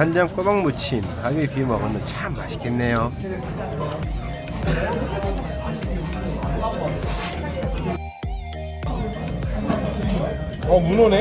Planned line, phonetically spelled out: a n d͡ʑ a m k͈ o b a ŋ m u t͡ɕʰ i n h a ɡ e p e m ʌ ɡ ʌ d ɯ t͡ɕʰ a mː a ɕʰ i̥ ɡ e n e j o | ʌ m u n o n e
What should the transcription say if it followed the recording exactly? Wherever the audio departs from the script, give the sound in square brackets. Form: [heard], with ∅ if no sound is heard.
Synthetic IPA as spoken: a n d͡ʑ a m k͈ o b a ŋ m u t͡ɕʰ i n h a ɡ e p [i] m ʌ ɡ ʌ [n] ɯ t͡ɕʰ a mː a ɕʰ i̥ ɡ e [nː] e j o | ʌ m u n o n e